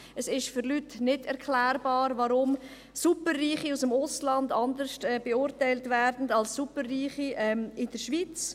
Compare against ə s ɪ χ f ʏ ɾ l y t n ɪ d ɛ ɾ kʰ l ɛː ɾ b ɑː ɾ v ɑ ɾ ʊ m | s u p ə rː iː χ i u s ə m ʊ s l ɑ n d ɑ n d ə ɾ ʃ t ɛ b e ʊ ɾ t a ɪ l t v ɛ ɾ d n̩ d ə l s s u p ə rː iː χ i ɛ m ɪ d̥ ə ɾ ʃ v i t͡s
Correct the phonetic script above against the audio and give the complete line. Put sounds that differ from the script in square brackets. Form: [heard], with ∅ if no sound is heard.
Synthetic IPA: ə s ɪ [ʃ] f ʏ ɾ l y t n ɪ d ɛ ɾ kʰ l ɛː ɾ b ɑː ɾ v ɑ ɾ ʊ m | s u p ə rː iː χ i u s ə m ʊ s l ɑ n d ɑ n d ə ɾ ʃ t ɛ b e ʊ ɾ t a ɪ l t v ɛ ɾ d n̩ d [ɑ] l s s u p ə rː iː χ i ɛ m ɪ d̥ ə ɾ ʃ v i t͡s